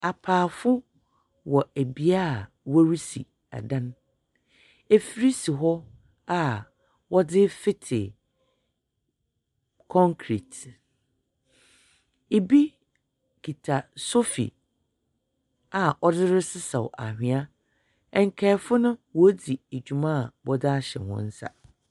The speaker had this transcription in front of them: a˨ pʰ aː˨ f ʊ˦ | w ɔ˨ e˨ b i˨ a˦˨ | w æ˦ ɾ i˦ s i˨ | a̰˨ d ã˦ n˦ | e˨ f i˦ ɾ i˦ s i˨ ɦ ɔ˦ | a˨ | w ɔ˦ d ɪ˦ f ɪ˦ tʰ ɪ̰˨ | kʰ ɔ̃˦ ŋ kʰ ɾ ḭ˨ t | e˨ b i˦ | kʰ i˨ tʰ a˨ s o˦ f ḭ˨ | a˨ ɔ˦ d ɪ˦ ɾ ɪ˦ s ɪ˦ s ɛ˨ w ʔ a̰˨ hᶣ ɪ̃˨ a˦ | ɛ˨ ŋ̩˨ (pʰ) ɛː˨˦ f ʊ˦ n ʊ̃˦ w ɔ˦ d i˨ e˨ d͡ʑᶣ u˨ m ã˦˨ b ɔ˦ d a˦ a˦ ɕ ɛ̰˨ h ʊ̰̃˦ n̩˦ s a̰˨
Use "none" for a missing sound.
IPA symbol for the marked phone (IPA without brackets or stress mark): kʰ